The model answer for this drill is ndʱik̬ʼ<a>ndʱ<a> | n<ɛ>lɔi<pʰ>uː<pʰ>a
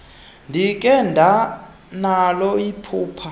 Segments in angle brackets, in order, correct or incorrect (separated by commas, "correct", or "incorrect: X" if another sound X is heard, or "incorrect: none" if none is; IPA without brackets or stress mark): incorrect: ɛ, correct, incorrect: a, correct, correct